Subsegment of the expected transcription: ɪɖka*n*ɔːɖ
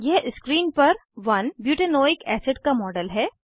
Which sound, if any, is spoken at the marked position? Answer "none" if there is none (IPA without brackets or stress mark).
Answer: m